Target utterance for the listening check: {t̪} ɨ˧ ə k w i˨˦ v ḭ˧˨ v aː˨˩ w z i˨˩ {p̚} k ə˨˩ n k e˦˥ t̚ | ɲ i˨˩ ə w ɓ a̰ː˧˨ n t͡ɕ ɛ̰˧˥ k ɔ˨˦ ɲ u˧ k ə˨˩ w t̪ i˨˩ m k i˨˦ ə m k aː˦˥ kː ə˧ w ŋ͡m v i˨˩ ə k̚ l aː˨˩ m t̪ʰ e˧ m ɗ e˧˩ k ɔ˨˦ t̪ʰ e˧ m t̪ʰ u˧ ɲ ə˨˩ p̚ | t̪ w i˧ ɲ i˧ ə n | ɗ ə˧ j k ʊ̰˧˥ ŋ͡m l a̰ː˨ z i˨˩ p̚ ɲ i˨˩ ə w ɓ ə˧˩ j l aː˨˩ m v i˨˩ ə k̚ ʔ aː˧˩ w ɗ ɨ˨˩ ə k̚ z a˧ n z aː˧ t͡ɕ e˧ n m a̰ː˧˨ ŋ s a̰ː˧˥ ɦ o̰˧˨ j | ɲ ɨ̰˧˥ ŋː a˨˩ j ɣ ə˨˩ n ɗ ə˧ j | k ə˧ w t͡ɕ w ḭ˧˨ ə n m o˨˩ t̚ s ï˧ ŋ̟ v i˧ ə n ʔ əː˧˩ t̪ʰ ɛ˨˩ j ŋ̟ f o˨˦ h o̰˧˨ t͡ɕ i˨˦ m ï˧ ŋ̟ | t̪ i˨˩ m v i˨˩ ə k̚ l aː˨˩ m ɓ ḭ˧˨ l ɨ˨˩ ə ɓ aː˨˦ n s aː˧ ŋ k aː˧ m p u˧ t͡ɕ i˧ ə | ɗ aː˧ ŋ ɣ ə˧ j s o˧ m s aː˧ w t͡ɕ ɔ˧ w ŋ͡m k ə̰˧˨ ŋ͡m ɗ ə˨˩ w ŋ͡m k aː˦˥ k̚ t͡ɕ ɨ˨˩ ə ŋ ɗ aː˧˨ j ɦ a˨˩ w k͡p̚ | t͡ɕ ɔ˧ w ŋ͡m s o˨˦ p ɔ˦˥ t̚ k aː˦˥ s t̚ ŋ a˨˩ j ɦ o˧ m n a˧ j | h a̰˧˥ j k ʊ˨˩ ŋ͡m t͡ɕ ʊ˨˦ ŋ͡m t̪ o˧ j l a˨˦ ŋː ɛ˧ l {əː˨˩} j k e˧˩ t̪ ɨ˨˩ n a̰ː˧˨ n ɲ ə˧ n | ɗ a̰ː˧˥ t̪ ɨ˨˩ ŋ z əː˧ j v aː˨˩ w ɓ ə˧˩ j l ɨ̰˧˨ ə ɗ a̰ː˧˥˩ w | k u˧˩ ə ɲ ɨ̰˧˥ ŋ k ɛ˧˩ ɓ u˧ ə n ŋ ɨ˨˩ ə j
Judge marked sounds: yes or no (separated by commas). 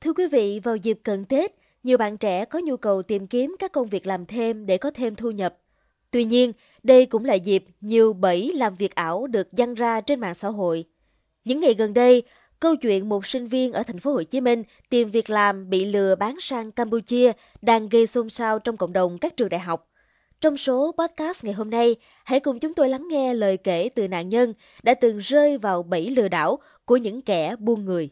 no, yes, yes